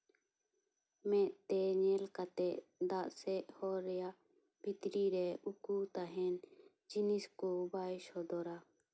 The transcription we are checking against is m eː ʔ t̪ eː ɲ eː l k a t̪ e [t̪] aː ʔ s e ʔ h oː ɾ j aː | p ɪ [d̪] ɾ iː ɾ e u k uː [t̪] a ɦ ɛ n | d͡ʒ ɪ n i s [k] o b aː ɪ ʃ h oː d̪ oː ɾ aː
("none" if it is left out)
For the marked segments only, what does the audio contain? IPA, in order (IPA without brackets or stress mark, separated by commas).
d̪, t̪, t̪, k